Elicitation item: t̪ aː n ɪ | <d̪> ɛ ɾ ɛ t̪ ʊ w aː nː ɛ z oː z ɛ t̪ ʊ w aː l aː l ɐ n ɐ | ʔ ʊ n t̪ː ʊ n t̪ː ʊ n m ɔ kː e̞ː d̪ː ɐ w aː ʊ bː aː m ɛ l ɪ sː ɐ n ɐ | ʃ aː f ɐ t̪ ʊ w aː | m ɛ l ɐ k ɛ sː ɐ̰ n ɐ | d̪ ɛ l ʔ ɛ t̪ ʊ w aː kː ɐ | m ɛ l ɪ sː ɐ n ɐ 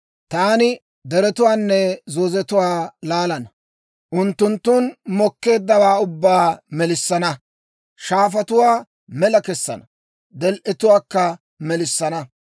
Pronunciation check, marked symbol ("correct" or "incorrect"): correct